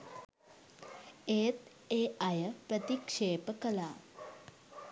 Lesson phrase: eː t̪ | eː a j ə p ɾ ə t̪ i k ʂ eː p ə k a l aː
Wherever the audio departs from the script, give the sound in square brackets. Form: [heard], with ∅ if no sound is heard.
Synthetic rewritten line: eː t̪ | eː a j ə p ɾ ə t̪ i k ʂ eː p ə k [ə] l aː